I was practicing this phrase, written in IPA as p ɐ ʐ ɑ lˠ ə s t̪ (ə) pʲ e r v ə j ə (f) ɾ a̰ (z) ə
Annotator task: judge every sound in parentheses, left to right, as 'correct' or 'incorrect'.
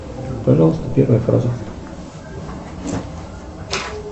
correct, correct, correct

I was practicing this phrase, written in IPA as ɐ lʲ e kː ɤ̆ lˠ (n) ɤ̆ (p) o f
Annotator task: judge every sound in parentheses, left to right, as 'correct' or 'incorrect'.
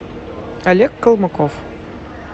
incorrect: m, incorrect: k

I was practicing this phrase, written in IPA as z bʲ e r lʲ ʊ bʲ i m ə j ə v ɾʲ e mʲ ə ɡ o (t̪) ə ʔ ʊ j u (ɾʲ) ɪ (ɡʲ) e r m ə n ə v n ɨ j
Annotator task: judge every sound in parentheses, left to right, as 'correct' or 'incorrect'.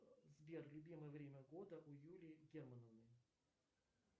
incorrect: d̪, incorrect: lʲ, correct

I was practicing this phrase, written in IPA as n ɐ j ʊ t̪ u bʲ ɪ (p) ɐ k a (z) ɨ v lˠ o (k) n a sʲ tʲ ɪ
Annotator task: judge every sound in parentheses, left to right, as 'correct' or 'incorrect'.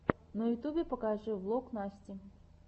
correct, incorrect: ʐ, correct

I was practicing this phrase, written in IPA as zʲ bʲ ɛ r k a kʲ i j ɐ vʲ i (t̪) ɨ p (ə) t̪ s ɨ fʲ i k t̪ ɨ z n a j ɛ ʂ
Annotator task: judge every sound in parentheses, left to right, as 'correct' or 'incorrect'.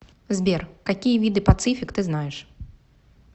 incorrect: d̪, incorrect: a

